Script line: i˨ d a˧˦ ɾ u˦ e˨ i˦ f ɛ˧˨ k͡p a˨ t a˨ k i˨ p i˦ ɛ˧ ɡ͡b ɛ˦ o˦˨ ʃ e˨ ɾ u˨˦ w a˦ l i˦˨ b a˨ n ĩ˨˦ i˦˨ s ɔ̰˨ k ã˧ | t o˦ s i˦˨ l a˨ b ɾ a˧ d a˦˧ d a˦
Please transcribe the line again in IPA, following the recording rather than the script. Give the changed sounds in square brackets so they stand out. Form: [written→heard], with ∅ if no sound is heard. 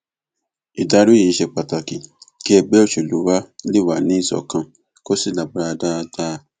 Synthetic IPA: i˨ d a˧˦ ɾ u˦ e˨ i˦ [f→ʃ] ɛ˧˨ k͡p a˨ t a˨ k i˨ [p→k] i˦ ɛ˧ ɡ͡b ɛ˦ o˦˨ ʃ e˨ [ɾ→l] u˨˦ w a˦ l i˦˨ [b→w] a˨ n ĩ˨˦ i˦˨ s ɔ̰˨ k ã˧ | [t→k] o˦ s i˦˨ l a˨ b ɾ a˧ d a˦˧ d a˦